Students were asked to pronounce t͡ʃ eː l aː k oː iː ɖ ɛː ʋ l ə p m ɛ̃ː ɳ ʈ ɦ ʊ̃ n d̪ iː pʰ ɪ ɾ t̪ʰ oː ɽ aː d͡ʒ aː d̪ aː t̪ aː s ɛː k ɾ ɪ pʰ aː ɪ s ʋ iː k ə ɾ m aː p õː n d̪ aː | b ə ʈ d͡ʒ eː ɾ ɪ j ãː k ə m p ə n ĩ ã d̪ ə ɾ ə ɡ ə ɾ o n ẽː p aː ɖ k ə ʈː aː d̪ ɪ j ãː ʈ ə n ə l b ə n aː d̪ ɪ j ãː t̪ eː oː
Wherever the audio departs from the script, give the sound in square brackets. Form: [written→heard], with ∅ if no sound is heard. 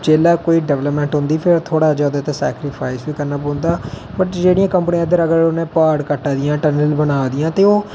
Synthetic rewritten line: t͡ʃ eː l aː k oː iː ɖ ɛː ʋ l ə p m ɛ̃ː ɳ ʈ ɦ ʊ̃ n d̪ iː pʰ ɪ ɾ t̪ʰ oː ɽ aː d͡ʒ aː d̪ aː t̪ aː s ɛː k ɾ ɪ pʰ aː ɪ s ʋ iː k ə ɾ [m→n] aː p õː n d̪ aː | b ə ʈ d͡ʒ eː [ɾ→ɽ] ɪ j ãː k ə m p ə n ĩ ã d̪ ə ɾ ə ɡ ə ɾ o n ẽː p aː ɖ k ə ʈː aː d̪ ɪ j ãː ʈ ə n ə l b ə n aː d̪ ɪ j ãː t̪ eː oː